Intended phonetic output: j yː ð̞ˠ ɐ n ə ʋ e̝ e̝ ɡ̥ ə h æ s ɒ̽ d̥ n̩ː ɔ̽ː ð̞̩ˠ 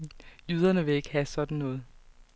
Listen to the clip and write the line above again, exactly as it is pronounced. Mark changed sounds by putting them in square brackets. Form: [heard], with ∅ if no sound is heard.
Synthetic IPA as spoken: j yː ð̞ˠ ɐ n ə ʋ e̝ e̝ ɡ̥ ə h æ s ɒ̽ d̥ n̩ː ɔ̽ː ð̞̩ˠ